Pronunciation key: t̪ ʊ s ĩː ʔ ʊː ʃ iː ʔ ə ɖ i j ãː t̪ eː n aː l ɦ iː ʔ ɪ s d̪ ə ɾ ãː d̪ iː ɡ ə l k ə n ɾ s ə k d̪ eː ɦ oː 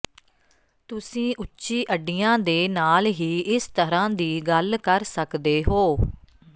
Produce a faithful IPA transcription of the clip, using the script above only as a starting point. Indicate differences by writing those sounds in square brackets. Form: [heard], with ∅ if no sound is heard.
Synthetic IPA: t̪ ʊ s ĩː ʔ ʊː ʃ iː ʔ ə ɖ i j ãː [d̪] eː n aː l ɦ iː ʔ ɪ s [t̪] ə ɾ ãː d̪ iː ɡ ə l k ə [∅] ɾ s ə k d̪ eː ɦ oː